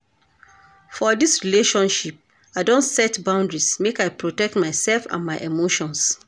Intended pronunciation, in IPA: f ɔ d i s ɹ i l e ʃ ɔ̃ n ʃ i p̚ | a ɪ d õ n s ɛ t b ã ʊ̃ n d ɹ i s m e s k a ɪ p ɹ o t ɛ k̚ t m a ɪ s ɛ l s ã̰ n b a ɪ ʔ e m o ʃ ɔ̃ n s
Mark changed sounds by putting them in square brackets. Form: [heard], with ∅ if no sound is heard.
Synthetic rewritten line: f ɔ d i s ɹ i l e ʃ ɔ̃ n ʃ i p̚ | a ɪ d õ n s ɛ t b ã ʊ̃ n d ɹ i s m e [∅] k a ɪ p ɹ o t ɛ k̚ t m a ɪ s ɛ l [f] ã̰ n [m] a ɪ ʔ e m o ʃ ɔ̃ n s